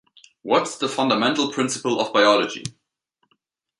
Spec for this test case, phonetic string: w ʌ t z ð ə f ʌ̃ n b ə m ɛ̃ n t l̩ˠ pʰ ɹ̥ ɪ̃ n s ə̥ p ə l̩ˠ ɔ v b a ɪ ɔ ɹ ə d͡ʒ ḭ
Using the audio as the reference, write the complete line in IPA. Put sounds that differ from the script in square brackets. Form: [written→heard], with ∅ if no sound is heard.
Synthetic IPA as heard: w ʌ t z ð ə f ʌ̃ n [b→d] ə m ɛ̃ n t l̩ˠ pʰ ɹ̥ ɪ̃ n s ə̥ p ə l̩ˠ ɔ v b a ɪ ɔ [ɹ→l] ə d͡ʒ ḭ